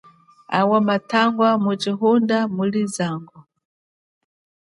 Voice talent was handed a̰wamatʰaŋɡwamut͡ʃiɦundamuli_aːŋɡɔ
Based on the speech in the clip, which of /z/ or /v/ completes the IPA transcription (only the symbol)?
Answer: z